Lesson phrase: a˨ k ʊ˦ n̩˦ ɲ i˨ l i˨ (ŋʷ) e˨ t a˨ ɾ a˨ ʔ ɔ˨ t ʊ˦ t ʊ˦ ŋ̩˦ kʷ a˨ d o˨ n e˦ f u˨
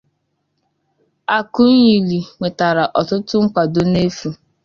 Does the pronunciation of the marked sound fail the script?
no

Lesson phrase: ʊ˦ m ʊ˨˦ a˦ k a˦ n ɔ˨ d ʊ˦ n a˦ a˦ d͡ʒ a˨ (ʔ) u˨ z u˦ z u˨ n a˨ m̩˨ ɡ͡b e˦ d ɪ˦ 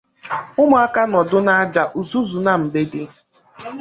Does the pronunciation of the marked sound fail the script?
no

